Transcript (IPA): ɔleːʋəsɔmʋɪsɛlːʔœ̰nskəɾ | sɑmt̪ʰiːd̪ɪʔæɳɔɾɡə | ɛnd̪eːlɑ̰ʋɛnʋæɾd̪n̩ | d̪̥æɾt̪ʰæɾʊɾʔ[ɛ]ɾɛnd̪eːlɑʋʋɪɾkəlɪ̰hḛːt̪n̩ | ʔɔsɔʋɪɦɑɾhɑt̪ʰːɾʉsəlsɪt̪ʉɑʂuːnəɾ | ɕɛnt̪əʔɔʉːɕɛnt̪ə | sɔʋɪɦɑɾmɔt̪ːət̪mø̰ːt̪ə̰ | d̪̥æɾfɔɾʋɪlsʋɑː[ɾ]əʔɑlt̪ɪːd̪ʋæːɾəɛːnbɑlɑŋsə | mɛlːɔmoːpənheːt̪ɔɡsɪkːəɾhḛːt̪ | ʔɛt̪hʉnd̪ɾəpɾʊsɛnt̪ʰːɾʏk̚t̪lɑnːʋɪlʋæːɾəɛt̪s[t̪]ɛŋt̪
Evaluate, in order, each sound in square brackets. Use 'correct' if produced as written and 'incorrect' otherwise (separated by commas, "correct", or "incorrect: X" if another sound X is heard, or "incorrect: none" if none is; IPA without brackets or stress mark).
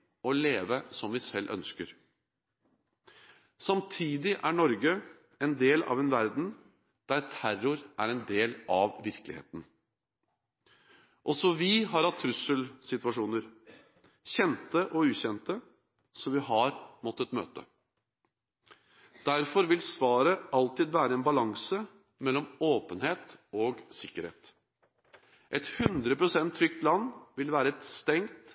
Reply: incorrect: æ, correct, correct